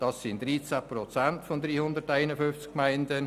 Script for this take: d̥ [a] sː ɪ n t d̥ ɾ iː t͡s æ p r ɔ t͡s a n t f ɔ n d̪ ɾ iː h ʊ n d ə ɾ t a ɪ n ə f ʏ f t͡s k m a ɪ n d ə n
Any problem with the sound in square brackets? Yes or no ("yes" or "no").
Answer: yes